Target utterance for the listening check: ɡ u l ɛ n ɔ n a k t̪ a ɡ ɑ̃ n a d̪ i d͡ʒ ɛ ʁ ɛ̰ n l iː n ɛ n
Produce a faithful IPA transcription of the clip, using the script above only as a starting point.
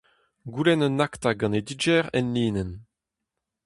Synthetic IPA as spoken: ɡ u l ɛ n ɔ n a k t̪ a ɡ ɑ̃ n e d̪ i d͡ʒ ɛ ʁ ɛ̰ n l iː n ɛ n

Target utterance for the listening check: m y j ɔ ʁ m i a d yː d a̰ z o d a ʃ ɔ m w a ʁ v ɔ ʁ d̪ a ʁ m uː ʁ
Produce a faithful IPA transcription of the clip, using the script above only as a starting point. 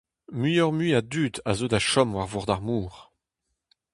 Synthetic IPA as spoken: m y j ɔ ʁ m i a d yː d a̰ z o d a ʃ ɔ m w a ʁ v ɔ ʁ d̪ a ʁ m uː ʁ

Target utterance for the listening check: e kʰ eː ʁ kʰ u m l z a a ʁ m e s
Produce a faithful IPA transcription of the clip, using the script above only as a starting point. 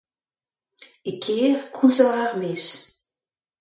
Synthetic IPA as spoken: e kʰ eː ʁ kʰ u l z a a ʁ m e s

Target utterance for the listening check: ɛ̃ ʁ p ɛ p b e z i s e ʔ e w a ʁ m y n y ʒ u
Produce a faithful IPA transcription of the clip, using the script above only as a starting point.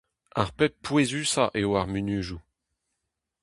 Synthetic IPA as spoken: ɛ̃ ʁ p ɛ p w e z y s a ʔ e w a ʁ m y n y ʒ u

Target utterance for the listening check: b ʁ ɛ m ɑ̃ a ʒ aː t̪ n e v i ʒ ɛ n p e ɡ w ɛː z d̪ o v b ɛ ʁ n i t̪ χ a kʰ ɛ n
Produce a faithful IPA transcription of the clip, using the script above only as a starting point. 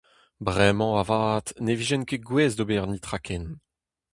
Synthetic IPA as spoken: b ʁ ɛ m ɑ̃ a v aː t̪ n e v i ʒ ɛ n k e ɡ w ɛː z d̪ o b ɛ ʁ n i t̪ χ a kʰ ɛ n

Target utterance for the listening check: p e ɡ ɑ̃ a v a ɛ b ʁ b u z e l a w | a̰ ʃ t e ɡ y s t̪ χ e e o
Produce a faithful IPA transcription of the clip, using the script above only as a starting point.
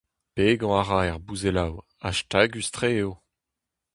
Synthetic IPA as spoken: p e ɡ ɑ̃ a ʁ a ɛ ʁ b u z e l a w | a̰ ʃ t a ɡ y s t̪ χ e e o

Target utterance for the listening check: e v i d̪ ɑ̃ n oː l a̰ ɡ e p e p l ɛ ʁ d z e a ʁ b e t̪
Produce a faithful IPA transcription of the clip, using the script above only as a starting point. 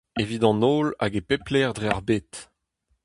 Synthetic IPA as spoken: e v i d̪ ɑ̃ n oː l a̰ ɡ e p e p l ɛ ʁ d ʁ e a ʁ b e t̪

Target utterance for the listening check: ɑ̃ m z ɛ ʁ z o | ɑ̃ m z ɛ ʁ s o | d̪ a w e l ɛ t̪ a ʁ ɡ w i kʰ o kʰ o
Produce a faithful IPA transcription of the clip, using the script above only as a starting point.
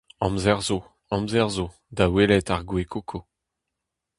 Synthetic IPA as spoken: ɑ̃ m z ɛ ʁ z o | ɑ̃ m z ɛ ʁ z o | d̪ a w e l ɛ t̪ a ʁ ɡ w e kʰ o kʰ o

